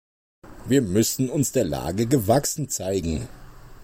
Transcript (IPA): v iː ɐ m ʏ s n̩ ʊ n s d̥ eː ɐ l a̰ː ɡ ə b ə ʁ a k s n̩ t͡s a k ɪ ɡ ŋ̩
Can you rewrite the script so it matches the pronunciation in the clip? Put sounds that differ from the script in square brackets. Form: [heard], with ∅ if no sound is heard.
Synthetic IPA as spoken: v iː ɐ m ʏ s n̩ ʊ n s d̥ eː ɐ l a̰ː ɡ ə [ɡ] ə [v] a k s n̩ t͡s a [∅] ɪ ɡ ŋ̩